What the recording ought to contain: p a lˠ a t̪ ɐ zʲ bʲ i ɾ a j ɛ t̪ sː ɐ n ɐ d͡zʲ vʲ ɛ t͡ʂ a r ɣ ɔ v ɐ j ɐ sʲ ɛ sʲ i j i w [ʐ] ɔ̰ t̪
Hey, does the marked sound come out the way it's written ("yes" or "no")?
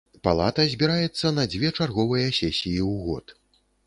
no